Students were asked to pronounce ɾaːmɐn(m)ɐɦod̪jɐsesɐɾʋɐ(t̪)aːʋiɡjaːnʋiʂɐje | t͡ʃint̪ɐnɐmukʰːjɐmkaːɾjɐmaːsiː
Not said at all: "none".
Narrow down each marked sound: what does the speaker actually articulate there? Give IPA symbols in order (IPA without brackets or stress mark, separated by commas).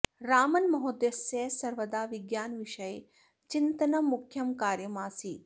m, d̪